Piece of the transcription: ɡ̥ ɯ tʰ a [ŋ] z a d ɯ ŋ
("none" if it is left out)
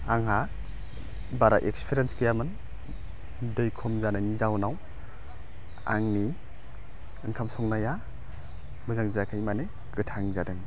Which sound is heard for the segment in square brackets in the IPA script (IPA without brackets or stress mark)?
ŋ